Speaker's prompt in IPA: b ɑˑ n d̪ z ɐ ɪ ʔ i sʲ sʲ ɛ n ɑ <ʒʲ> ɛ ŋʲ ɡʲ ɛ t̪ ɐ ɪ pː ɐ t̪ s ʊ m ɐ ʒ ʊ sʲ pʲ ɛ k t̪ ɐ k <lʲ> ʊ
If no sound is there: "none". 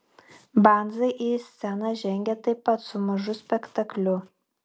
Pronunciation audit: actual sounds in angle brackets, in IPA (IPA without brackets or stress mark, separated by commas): ʒʲ, lʲ